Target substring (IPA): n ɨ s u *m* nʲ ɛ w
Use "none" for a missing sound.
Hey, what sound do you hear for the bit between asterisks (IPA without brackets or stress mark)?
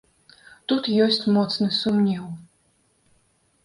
m